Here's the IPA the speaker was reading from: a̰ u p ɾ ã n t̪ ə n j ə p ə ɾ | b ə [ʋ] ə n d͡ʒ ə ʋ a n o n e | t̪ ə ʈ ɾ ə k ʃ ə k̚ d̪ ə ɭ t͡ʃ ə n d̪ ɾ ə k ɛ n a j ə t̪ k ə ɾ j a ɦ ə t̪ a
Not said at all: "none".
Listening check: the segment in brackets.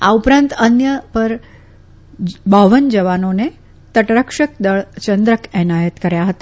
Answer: ʋ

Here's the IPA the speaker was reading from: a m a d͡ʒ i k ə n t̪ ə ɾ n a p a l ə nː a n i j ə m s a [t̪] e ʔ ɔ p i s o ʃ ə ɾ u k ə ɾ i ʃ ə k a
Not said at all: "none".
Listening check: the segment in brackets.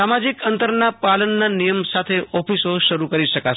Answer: t̪ʰ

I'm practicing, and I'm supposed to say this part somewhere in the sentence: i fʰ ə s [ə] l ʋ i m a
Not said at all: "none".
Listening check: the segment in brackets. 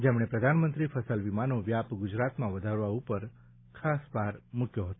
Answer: ə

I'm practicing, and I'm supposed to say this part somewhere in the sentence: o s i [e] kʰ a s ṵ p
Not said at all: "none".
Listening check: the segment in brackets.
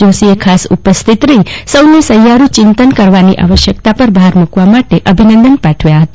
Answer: e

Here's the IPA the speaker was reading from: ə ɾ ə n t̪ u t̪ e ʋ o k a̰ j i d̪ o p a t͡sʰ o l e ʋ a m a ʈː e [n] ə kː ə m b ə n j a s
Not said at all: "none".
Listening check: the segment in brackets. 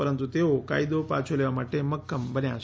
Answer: m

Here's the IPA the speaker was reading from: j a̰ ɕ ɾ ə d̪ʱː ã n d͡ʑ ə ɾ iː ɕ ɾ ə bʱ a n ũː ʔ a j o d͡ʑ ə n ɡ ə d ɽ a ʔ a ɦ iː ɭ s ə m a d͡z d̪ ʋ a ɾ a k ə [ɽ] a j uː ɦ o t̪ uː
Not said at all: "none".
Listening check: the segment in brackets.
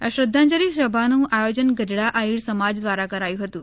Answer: ɾ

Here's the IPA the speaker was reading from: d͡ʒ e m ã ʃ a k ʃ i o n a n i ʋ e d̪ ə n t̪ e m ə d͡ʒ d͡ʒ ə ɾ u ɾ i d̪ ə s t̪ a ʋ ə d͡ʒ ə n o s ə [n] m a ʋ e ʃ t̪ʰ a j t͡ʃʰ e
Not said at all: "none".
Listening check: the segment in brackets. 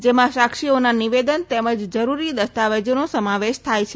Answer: none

